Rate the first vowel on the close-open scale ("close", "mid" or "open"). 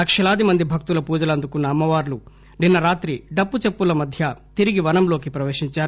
open